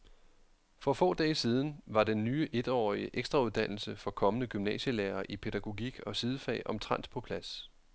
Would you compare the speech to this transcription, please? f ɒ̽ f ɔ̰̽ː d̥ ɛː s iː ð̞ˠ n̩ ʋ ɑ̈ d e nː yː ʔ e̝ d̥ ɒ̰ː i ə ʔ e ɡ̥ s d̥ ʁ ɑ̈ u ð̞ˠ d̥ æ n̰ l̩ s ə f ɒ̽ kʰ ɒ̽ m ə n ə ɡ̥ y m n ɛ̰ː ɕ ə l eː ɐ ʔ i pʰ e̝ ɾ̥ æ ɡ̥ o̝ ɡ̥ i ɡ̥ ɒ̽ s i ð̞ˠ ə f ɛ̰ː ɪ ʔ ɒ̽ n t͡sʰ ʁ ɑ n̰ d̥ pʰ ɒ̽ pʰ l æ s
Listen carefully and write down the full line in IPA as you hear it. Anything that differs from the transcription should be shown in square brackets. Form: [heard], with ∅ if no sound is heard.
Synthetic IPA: f ɒ̽ f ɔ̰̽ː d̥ ɛː s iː ð̞ˠ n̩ ʋ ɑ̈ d e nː yː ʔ e̝ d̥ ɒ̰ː i ə ʔ e ɡ̥ s d̥ ʁ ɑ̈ u ð̞ˠ d̥ æ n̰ l̩ s ə f ɒ̽ kʰ ɒ̽ m ə n ə ɡ̥ y m n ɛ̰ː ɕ ə l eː ɐ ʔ i pʰ e̝ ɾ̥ æ ɡ̥ o̝ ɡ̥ i ɡ̥ ɒ̽ s i ð̞ˠ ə f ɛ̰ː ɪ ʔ ɒ̽ [m] t͡sʰ ʁ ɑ n̰ d̥ pʰ ɒ̽ pʰ l æ s